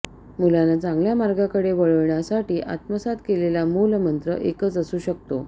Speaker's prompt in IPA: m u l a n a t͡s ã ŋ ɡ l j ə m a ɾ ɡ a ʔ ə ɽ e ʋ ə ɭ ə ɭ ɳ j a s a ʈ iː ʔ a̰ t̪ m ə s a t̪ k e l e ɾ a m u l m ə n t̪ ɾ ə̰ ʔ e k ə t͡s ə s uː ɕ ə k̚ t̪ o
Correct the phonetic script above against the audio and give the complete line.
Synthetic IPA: m u l a n a t͡s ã ŋ ɡ l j a m a ɾ ɡ a k ə ɽ e ʋ ə ɭ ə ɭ ɳ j a s a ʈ iː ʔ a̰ t̪ m ə s a t̪ k e l e l a m u l m ə n t̪ ɾ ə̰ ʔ e k ə t͡s ə s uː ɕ ə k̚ t̪ o

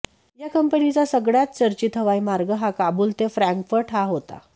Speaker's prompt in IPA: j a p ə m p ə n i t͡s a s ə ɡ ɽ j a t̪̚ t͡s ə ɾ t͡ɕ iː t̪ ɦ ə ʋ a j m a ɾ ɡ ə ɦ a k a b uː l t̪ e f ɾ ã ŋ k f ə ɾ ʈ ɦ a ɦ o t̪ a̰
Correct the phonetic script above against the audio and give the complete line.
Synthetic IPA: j a k ə m p ə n i t͡s a s ə ɡ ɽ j a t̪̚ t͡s ə ɾ t͡ɕ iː t̪ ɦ ə ʋ a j m a ɾ ɡ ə ɦ a k a b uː l t̪ e f ɾ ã ŋ k f ə ɾ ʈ ɦ a ɦ o t̪ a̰

